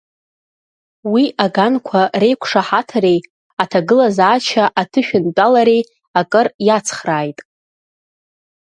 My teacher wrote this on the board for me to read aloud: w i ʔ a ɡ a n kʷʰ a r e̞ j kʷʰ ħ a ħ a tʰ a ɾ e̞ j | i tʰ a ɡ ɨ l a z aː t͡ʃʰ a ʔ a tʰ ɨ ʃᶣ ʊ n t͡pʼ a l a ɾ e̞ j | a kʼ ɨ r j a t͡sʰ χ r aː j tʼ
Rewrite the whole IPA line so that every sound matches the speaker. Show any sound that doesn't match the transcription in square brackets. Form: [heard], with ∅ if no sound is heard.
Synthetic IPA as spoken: w i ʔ a ɡ a n kʷʰ a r e̞ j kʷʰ [ʂ] a ħ a tʰ a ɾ e̞ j | [a] tʰ a ɡ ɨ l a z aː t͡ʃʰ a ʔ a tʰ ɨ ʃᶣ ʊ n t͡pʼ a l a ɾ e̞ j | a kʼ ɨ r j a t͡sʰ χ r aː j tʼ